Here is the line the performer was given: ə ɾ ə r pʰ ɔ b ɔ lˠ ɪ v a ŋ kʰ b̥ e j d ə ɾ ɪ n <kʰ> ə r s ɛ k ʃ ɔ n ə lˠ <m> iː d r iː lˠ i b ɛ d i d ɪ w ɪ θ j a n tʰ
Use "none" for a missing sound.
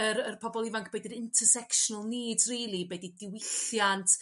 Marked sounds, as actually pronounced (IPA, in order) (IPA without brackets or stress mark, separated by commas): tʰ, n